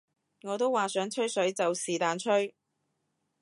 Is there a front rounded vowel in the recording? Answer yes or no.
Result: yes